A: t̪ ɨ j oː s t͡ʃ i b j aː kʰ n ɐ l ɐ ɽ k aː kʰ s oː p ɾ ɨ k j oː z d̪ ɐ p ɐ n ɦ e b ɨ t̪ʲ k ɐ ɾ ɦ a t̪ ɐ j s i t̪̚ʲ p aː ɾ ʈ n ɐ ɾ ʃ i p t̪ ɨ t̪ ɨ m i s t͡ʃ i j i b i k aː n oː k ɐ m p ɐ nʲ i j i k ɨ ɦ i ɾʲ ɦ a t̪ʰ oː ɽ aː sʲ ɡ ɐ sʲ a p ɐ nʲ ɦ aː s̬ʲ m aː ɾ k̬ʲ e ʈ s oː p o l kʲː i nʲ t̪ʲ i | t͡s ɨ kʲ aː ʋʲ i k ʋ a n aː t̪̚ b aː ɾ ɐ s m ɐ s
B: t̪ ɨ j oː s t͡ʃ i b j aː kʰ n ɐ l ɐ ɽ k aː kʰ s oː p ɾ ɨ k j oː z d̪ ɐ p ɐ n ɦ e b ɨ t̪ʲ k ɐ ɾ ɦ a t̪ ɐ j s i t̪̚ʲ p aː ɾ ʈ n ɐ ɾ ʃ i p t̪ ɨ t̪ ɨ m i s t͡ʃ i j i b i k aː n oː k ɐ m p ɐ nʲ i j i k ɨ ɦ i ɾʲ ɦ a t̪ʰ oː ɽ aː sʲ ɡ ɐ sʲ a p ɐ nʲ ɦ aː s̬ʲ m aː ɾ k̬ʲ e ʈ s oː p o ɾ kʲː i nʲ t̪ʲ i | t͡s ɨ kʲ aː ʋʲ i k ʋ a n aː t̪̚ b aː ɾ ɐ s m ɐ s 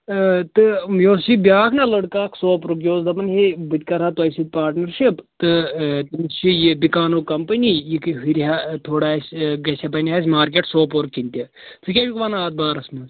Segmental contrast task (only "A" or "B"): B